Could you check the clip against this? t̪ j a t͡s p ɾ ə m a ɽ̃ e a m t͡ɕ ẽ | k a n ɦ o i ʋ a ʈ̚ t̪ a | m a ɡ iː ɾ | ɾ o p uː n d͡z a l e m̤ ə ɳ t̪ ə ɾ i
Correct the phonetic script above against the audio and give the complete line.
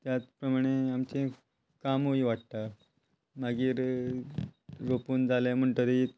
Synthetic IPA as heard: t̪ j a t͡s p ɾ ə m a ɽ̃ e a m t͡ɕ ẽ | k a m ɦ o i ʋ a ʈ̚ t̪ a | m a ɡ iː ɾ | ɾ o p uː n d͡z a l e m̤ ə ɳ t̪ ə ɾ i